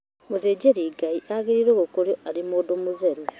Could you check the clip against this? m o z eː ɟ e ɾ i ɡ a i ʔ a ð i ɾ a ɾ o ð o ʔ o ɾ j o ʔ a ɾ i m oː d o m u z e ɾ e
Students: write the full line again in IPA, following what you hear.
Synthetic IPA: m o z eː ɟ e ɾ i ɡ a i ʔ a ɣ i ɾ i ɾ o ɣ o k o ɾ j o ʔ a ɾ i m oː d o m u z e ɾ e